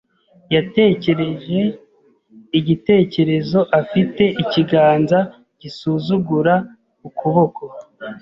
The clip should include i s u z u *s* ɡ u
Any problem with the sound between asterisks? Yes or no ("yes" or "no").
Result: yes